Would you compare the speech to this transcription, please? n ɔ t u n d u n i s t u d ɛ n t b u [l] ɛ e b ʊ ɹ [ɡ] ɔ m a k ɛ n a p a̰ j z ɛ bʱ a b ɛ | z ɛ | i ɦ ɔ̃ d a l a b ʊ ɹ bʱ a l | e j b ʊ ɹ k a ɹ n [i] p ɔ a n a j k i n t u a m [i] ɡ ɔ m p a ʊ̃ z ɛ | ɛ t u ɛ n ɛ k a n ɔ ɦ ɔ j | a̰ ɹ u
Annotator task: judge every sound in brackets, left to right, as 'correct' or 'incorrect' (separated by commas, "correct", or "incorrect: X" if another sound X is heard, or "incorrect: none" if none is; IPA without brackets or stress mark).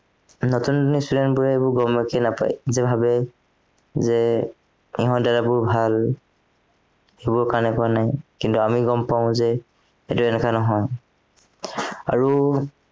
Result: incorrect: ɹ, correct, incorrect: ɛ, correct